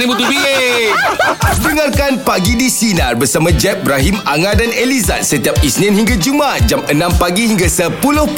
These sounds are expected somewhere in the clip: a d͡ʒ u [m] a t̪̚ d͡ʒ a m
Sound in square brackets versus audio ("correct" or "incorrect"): correct